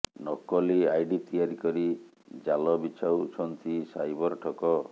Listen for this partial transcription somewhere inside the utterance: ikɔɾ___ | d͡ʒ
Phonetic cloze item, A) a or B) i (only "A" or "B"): B